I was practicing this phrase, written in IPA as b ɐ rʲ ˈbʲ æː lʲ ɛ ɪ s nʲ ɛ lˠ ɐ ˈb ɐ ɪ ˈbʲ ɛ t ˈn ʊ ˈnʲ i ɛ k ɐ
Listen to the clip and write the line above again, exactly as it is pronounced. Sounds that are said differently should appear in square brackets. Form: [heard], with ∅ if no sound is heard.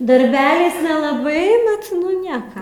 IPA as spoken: [d] ɐ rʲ ˈbʲ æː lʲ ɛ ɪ s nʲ ɛ lˠ ɐ ˈb ɐ ɪ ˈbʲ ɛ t ˈn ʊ ˈnʲ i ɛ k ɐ